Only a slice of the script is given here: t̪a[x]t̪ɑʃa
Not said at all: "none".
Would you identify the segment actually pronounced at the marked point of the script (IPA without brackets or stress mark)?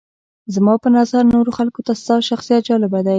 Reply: s